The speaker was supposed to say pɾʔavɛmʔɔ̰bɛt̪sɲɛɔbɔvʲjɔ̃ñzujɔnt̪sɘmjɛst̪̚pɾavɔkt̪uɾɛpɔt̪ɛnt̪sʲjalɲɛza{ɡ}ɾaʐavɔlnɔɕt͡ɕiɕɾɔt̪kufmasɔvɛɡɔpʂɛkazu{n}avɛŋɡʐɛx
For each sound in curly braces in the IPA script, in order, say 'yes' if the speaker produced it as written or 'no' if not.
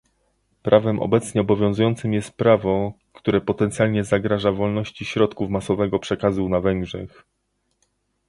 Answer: yes, yes

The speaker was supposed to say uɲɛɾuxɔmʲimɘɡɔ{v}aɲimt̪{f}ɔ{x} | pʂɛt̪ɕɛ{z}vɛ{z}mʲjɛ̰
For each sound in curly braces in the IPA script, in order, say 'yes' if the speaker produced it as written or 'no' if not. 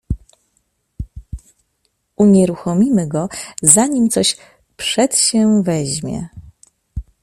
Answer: no, no, no, no, no

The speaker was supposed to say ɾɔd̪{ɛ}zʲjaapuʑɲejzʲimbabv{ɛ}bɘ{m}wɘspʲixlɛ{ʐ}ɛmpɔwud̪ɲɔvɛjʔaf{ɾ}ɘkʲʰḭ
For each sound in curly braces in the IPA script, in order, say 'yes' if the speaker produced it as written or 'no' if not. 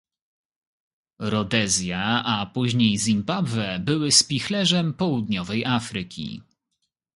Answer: yes, yes, no, yes, yes

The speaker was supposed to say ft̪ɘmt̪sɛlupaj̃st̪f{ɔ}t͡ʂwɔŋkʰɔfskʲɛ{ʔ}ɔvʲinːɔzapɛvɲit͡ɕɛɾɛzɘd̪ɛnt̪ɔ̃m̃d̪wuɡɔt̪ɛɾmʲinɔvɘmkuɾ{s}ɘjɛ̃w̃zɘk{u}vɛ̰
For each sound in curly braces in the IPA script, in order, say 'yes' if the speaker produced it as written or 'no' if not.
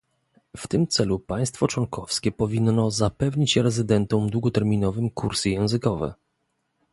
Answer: yes, no, yes, no

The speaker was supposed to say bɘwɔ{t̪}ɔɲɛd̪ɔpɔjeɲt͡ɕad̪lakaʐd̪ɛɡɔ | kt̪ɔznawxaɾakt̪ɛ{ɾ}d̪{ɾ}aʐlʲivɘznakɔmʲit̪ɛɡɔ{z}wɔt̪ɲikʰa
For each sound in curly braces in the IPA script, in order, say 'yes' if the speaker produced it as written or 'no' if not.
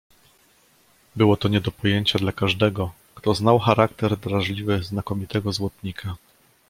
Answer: yes, yes, yes, yes

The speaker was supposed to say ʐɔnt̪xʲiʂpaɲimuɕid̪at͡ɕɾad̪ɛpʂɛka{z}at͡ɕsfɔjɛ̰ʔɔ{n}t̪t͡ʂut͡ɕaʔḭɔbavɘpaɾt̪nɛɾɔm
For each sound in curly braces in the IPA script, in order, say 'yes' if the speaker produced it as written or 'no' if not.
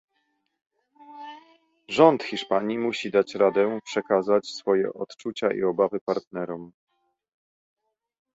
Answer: yes, no

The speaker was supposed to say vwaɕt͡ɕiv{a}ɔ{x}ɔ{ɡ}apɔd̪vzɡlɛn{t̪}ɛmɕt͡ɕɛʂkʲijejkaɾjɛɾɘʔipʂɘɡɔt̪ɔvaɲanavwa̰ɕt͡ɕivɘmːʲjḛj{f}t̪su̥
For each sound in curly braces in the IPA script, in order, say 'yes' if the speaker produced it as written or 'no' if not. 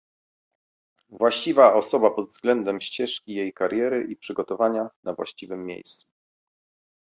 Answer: yes, no, no, no, no

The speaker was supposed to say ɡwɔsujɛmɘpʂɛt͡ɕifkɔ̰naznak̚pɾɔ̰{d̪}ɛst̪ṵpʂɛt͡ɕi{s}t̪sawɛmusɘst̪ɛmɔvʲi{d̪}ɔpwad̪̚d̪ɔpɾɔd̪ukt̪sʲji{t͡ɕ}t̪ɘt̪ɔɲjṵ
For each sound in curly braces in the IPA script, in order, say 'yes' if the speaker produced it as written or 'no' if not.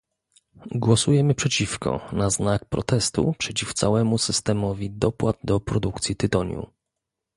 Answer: no, no, yes, no

